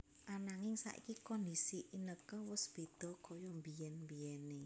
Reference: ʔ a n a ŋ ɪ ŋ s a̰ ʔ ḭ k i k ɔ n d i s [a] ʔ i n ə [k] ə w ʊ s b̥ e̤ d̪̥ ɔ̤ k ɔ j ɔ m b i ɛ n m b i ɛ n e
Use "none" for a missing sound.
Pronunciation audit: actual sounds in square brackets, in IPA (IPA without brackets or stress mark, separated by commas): i, k